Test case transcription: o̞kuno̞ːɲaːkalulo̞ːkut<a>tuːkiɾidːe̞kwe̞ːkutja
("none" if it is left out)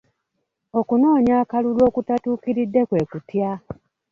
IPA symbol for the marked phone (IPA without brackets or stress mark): a